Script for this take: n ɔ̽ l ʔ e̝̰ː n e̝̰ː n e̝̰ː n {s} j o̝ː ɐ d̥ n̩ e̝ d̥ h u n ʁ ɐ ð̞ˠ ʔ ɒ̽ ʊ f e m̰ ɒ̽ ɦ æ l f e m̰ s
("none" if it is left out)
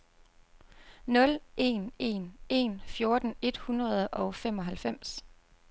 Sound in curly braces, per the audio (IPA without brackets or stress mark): f